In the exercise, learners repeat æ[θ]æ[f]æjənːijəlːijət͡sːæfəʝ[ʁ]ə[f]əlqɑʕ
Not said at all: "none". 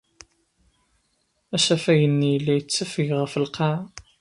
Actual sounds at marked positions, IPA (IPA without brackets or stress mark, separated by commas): ʃ, f, ʁ, f